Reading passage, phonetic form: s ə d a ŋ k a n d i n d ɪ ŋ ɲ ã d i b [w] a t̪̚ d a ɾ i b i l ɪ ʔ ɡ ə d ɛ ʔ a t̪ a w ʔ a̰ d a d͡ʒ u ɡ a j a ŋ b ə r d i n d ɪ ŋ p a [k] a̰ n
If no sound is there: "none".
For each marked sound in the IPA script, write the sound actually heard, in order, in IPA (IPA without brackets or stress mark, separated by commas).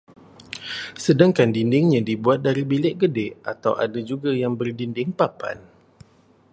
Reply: u, p